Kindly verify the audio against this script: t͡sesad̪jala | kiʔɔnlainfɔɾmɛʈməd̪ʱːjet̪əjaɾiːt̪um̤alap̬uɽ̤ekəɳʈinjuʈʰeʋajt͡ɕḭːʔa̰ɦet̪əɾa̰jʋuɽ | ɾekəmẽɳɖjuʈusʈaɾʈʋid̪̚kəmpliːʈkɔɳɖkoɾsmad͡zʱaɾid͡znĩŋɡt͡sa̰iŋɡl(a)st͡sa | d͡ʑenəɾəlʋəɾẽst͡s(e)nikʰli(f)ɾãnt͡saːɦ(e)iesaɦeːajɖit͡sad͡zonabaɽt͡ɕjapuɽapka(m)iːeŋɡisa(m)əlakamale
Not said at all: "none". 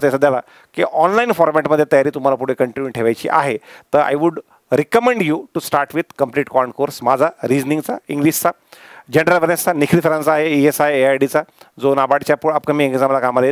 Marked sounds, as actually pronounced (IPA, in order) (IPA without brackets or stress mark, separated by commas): i, a, f, e, m, m